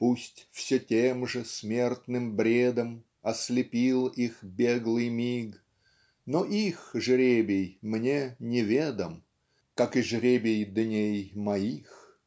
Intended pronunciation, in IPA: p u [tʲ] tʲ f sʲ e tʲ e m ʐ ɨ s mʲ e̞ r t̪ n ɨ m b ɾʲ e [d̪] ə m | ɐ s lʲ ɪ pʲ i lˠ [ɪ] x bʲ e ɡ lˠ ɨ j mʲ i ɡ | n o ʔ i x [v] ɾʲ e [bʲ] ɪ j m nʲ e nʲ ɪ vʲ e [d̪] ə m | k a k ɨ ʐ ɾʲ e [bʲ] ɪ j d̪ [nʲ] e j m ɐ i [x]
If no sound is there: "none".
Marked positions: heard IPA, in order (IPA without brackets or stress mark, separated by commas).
sʲ, d̪, i, ʐ, bʲ, d̪, bʲ, nʲ, x